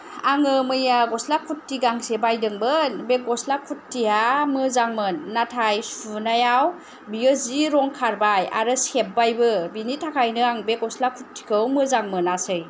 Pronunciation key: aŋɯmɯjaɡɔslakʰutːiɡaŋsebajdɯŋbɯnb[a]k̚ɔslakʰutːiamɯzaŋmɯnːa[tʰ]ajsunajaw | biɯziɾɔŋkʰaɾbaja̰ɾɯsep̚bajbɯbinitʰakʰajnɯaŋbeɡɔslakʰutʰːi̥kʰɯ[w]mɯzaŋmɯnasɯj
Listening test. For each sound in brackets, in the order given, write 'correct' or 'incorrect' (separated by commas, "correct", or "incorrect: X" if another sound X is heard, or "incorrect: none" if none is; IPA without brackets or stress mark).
incorrect: e, correct, correct